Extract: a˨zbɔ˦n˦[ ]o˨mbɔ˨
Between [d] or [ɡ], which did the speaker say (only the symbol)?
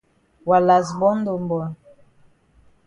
d